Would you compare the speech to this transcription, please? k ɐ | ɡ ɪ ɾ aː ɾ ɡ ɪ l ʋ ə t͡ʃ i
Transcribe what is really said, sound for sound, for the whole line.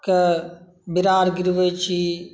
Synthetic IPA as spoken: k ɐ | b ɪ ɾ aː ɾ ɡ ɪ ɾ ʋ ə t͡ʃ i